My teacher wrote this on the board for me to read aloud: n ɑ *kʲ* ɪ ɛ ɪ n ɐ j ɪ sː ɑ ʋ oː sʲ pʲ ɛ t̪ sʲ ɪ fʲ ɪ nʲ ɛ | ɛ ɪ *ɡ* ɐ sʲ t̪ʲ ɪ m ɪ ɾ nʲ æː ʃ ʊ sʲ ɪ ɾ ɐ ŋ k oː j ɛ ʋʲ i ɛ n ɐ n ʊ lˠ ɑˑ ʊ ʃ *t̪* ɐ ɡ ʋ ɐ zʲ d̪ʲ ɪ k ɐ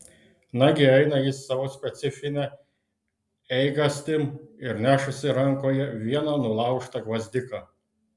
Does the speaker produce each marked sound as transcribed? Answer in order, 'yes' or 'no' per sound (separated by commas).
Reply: no, yes, yes